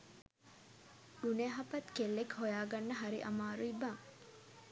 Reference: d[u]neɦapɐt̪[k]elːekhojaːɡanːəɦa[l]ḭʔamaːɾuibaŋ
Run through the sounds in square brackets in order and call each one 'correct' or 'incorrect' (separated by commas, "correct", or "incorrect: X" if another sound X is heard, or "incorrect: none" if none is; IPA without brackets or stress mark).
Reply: correct, correct, incorrect: ɾ